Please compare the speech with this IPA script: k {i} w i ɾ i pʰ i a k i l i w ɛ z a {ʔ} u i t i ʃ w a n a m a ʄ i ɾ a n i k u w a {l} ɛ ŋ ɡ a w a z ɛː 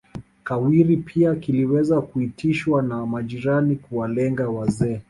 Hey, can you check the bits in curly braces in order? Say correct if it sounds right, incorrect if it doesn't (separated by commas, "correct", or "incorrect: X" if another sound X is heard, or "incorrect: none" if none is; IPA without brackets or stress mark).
incorrect: a, incorrect: k, correct